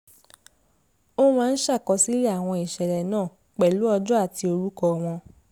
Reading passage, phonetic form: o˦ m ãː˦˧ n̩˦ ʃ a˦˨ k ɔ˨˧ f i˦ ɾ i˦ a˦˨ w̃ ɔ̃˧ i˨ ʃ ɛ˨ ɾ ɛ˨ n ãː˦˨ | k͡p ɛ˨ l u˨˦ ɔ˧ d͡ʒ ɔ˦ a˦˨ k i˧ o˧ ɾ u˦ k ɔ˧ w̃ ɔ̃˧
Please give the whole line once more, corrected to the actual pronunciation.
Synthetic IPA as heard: o˦ m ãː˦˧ n̩˦ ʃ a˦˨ k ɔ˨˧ s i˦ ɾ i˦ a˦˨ w̃ ɔ̃˧ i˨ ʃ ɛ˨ ɾ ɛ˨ n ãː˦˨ | k͡p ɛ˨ l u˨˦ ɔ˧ d͡ʒ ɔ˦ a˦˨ t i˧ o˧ ɾ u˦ k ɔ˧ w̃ ɔ̃˧